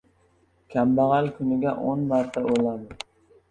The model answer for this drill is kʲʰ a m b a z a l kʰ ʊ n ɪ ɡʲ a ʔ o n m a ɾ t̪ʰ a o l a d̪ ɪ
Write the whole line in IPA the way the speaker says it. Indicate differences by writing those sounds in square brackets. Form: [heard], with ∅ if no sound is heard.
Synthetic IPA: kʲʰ a m b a [ʁ] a l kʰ ʊ n ɪ ɡʲ a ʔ o n m a ɾ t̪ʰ a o l a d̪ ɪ